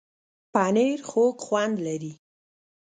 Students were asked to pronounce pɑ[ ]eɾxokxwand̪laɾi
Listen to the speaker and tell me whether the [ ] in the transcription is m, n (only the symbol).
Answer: n